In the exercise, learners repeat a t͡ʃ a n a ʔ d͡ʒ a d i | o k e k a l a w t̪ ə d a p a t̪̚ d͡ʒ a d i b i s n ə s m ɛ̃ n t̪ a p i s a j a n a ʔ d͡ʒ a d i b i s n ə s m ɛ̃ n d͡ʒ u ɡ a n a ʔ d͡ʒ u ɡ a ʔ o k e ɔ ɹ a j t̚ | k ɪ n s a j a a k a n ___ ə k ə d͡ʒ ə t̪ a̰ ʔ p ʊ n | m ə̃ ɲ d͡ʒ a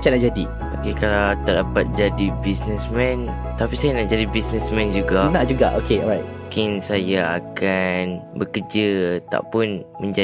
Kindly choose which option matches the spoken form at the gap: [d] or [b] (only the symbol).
b